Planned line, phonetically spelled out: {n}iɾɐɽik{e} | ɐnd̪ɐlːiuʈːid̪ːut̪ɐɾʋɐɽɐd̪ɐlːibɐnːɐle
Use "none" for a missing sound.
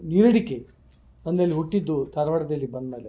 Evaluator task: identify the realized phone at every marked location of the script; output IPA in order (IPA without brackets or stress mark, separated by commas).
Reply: n, e